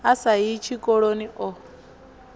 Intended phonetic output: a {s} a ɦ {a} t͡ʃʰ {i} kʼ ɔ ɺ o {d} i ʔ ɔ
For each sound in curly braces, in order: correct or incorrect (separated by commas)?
correct, incorrect, correct, incorrect